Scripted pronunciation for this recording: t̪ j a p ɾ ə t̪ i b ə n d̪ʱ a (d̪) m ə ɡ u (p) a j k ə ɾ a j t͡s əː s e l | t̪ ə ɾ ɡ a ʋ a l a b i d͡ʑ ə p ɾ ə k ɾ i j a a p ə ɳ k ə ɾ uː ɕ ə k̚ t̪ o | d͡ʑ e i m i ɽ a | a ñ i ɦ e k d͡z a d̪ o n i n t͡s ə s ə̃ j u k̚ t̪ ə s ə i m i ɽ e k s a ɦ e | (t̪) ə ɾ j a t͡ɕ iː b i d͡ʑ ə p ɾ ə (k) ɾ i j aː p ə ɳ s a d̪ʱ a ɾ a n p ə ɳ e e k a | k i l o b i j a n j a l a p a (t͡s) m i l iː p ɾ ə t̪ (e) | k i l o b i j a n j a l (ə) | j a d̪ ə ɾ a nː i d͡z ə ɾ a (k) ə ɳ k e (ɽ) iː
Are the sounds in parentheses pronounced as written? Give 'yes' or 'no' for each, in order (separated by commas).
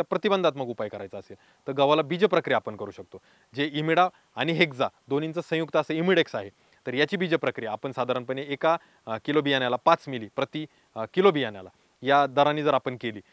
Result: no, yes, yes, yes, yes, no, no, no, no